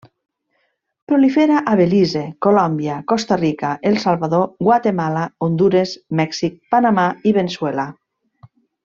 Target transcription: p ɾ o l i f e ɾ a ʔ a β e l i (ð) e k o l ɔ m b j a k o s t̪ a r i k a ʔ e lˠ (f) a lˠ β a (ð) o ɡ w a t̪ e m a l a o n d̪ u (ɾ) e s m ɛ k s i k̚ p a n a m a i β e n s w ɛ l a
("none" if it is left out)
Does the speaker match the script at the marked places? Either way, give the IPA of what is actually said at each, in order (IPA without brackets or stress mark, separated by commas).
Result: z, s, ð, ɾ